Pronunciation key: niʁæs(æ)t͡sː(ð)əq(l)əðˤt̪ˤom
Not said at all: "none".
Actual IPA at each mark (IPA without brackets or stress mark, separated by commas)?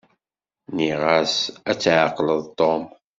æ, ʕ, l